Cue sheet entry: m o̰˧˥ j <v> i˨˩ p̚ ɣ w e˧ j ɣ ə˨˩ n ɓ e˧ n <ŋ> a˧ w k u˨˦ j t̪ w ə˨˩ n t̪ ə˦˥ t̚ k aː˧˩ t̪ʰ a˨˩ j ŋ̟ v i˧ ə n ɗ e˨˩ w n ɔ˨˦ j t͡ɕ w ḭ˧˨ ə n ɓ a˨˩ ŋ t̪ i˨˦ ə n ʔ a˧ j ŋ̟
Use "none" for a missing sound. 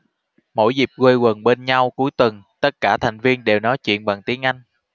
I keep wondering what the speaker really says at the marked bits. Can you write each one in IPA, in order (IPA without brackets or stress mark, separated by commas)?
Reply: z, ɲ